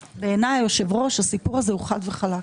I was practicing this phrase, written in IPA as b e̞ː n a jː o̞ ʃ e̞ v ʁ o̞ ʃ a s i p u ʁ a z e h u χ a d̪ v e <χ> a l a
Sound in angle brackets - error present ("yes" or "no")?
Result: no